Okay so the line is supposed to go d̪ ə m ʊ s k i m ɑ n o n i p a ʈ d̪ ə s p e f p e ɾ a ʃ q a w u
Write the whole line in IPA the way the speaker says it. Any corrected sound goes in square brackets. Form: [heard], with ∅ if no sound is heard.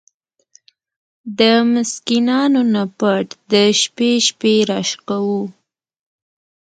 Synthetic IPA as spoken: d̪ ə m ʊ s k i [n] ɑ n o n [a] p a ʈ d̪ ə [ʃ] p e [ʃ] p e ɾ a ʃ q a w u